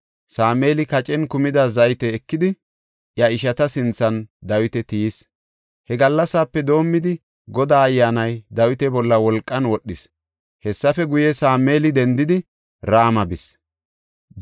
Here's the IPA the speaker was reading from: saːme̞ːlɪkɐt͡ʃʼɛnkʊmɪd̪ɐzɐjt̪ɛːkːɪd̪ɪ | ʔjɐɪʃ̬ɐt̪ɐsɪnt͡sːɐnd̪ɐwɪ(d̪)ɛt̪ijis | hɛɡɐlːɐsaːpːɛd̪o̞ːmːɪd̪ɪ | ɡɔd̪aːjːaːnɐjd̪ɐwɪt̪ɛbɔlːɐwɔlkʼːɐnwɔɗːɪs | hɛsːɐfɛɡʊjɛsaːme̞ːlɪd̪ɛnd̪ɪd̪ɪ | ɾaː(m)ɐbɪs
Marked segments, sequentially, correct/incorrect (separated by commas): incorrect, correct